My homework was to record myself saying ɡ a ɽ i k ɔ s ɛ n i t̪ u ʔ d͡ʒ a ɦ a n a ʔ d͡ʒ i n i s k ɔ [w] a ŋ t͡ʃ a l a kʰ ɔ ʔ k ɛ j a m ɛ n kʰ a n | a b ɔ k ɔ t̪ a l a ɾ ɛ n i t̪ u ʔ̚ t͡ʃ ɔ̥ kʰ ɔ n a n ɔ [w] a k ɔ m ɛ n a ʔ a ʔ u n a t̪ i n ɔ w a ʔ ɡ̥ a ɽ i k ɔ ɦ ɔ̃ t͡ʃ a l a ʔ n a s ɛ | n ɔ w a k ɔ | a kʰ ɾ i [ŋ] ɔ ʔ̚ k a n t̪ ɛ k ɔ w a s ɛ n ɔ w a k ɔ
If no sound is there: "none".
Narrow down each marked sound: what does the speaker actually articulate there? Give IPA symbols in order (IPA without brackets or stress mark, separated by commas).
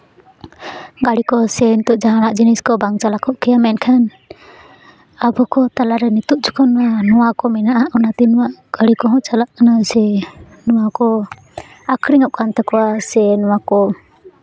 b, w, ŋ